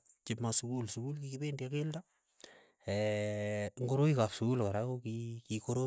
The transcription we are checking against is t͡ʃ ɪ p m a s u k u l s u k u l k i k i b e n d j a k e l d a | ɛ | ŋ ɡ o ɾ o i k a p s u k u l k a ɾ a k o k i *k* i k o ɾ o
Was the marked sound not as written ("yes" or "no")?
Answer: no